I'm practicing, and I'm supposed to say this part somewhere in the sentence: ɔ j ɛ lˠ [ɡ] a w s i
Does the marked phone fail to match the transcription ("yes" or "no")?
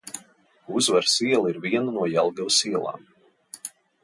no